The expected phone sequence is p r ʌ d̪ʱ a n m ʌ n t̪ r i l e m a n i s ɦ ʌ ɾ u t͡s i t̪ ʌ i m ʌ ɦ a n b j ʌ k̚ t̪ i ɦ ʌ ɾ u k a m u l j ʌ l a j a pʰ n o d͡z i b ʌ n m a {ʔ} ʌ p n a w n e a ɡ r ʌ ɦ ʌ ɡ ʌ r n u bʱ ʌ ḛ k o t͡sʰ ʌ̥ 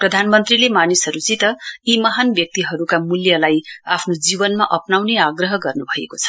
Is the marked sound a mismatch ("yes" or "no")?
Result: no